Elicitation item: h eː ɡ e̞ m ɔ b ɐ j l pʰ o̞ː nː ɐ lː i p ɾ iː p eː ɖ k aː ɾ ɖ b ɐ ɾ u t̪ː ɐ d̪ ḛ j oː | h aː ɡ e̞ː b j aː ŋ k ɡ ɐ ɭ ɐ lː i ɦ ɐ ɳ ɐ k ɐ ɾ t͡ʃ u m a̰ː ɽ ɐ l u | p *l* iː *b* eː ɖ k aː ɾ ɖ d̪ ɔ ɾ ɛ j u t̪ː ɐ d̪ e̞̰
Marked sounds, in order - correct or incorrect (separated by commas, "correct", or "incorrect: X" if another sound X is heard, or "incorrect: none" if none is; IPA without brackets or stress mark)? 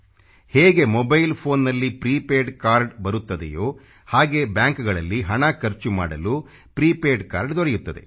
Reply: incorrect: ɾ, incorrect: p